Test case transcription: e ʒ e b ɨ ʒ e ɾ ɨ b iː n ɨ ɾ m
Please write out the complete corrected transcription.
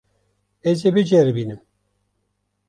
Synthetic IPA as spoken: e z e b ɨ d͡ʒ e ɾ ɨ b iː n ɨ m